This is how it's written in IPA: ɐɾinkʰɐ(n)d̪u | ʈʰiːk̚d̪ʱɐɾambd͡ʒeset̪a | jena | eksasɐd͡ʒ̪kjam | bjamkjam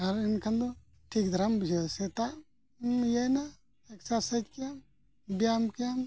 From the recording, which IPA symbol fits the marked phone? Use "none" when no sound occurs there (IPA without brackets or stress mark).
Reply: n